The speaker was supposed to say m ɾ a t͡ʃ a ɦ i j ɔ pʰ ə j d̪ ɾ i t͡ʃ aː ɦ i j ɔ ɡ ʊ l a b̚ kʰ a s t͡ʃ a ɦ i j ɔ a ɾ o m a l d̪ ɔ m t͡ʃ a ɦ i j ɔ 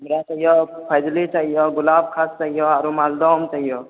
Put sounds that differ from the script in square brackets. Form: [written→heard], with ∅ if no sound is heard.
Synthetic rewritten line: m ɾ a t͡ʃ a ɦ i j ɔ pʰ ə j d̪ [ɾ→l] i t͡ʃ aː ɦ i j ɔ ɡ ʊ l a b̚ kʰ a s t͡ʃ a ɦ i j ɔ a ɾ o m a l d̪ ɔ m t͡ʃ a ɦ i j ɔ